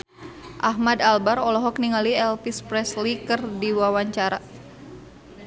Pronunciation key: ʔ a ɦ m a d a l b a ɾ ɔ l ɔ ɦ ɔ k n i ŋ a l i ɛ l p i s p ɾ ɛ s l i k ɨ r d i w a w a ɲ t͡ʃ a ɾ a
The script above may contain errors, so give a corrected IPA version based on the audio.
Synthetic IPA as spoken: ʔ a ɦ m a d a l b a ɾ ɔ l ɔ ɦ ɔ k n i ŋ a l i ɛ l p i s p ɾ ɛ s l i k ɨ r d i w a w a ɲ t͡ʃ a ɾ a